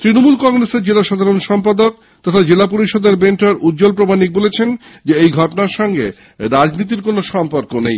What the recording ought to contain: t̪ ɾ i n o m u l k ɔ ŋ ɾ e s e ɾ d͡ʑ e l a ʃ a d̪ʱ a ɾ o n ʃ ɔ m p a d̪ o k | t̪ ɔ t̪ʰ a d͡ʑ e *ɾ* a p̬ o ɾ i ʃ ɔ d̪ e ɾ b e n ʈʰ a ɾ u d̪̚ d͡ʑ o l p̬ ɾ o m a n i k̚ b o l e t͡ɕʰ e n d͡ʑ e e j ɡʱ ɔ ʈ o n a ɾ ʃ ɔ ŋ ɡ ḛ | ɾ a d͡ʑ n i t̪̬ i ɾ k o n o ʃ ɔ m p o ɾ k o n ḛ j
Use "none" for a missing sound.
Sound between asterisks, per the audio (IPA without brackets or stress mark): l